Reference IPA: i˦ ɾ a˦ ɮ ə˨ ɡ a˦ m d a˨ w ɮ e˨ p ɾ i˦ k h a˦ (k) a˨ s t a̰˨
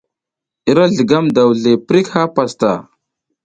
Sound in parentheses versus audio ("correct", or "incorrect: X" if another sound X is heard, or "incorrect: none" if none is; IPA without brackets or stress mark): incorrect: p